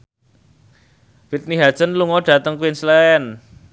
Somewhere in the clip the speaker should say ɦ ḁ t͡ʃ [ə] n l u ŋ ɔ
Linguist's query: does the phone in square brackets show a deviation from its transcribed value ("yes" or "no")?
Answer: no